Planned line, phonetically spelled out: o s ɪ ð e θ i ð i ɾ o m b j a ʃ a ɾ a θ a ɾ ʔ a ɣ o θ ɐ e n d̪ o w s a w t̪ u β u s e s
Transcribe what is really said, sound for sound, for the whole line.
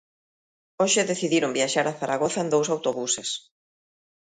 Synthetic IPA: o ʃ ɪ ð e θ i ð i ɾ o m b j a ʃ a ɾ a θ a ɾ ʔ a ɣ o θ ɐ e n d̪ o w s a w t̪ o β u s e s